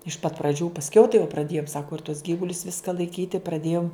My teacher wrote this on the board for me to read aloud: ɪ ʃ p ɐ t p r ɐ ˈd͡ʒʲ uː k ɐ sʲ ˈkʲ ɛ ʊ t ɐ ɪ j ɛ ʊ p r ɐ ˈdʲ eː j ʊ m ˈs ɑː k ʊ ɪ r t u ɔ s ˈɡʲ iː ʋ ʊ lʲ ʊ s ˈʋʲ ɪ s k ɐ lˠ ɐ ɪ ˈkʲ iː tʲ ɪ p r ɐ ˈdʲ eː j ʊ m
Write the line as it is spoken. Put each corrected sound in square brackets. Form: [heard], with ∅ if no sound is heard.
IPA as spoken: ɪ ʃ p ɐ t p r ɐ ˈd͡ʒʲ uː [p] ɐ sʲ ˈkʲ ɛ ʊ t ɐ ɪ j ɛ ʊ p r ɐ ˈdʲ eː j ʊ m ˈs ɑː k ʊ ɪ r t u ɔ s ˈɡʲ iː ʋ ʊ lʲ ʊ s ˈʋʲ ɪ s k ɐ lˠ ɐ ɪ ˈkʲ iː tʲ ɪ p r ɐ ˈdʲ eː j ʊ m